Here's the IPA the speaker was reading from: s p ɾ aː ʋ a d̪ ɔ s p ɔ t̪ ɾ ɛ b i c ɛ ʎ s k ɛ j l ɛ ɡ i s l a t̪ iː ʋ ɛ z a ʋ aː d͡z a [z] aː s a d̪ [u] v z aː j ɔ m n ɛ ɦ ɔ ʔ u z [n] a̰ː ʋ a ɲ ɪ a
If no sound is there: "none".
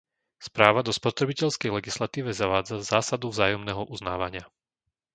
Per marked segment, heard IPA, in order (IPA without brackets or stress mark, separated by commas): z, u, n